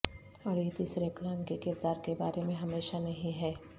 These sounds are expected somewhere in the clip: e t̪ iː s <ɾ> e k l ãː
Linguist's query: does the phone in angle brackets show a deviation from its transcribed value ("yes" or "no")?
no